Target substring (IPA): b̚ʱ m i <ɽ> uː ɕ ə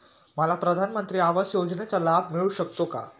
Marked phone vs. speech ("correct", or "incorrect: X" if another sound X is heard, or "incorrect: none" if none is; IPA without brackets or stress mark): incorrect: ɭ